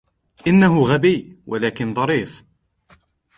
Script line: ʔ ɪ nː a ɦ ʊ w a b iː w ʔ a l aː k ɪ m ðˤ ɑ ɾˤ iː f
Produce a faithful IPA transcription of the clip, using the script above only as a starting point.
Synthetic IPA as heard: ʔ ɪ nː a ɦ ʊ ɣ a b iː w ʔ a l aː k ɪ n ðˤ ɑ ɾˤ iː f